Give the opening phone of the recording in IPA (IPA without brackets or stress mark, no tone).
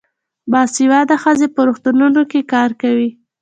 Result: b